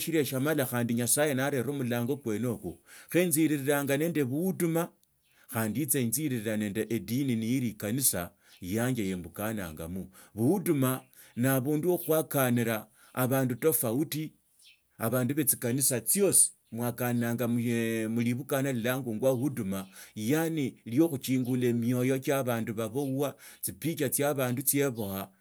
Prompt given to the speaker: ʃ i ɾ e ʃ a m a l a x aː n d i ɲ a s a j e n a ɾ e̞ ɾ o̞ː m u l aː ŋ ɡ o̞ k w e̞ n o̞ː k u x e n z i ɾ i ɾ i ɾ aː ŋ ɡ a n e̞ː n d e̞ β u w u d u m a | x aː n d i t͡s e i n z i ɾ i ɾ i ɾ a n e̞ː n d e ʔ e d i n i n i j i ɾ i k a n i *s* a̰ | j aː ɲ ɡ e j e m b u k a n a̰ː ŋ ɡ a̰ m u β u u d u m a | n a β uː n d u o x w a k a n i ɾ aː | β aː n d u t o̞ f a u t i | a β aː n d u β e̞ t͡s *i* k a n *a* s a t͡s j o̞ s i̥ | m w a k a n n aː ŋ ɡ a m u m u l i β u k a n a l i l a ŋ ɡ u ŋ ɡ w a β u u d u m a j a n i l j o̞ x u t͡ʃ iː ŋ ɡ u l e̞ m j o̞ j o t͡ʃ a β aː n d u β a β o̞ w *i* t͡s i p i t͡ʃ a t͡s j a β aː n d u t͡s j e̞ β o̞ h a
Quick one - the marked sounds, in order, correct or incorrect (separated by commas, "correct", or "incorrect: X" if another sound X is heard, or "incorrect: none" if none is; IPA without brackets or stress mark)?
correct, correct, incorrect: i, incorrect: a